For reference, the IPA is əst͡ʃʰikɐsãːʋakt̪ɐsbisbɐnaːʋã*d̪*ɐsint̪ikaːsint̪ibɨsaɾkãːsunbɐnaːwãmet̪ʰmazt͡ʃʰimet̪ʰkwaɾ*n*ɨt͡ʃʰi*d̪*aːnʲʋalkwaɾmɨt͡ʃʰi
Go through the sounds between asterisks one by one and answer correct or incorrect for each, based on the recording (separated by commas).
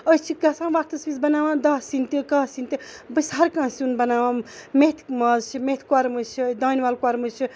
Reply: correct, incorrect, correct